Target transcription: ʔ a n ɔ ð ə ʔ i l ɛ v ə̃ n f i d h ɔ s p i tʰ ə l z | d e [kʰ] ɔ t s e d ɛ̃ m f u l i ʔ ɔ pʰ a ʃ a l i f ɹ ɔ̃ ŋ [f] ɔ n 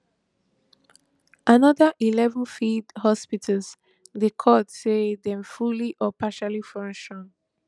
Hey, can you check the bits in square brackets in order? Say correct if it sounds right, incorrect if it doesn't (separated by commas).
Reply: correct, incorrect